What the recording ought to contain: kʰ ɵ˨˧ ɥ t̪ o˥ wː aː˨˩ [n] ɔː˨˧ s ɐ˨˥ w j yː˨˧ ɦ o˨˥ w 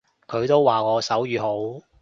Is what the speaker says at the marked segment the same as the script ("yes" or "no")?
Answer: no